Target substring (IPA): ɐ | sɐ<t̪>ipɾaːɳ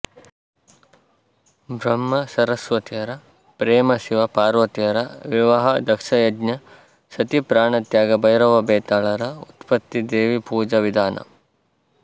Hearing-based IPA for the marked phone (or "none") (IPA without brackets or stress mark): t̪